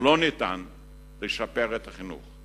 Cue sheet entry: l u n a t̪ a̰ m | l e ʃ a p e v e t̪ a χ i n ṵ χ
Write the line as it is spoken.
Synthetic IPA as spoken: l o n i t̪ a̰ n | l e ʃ a p e ʁ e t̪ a χ i n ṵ χ